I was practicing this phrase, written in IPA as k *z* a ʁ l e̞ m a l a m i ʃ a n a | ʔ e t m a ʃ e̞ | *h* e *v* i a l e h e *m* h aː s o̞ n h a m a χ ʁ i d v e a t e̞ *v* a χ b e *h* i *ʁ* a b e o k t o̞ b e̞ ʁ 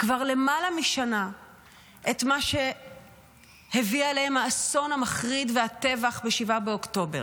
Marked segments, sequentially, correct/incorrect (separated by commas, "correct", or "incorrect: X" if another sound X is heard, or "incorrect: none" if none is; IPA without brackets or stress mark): incorrect: v, correct, correct, correct, correct, incorrect: ʃ, incorrect: v